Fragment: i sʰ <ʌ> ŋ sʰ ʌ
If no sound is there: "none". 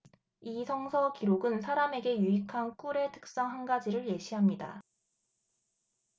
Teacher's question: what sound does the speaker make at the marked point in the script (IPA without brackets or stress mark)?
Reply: ʌ